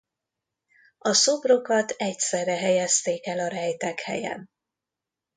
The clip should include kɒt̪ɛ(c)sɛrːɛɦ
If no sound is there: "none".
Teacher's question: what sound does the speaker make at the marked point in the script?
c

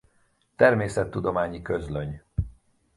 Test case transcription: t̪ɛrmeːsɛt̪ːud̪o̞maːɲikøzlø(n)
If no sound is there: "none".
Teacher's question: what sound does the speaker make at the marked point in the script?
ɲ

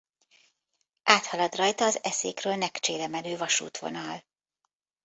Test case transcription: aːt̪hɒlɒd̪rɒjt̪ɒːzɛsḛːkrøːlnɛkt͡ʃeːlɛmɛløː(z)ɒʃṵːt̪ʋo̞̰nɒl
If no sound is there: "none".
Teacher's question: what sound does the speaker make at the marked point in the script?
v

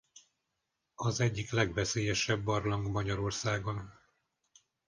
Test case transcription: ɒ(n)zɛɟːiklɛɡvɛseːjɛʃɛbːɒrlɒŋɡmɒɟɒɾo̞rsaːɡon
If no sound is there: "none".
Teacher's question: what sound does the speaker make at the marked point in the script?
none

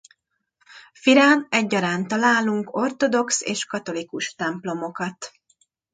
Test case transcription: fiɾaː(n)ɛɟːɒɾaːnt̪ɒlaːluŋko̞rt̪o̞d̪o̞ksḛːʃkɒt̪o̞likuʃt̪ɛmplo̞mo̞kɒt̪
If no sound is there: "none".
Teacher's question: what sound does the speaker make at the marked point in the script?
n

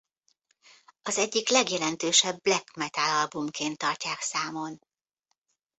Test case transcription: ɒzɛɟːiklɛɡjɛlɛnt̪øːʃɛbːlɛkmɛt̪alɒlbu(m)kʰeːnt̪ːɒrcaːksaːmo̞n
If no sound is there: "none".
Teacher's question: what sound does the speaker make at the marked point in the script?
m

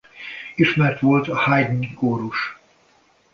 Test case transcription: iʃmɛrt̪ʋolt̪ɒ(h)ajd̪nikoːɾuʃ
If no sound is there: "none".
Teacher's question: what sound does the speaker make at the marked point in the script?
h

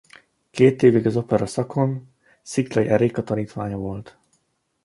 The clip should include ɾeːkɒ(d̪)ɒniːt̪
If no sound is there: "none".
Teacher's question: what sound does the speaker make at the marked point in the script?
t̪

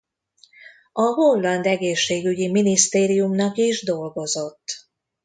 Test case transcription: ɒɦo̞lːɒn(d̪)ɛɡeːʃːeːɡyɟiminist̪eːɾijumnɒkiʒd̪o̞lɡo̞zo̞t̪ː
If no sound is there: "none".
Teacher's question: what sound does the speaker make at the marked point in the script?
d̪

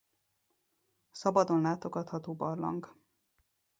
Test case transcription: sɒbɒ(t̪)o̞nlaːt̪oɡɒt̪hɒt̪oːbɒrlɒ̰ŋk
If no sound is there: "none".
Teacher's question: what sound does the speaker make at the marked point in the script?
d̪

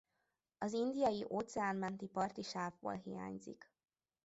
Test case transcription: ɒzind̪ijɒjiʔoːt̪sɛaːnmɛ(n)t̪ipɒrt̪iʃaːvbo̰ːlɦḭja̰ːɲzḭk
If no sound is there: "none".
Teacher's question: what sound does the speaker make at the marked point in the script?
n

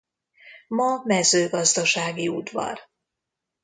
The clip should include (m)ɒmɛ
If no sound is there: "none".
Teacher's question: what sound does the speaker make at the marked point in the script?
m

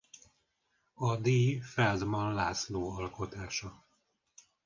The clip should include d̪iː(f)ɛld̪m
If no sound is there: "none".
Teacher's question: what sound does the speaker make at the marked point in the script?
f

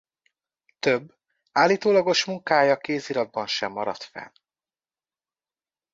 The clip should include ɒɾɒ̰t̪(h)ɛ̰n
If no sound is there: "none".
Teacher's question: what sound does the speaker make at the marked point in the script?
f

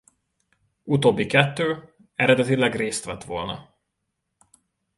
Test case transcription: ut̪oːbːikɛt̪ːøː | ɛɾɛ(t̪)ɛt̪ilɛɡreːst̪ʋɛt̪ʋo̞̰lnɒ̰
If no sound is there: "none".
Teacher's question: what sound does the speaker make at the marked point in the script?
d̪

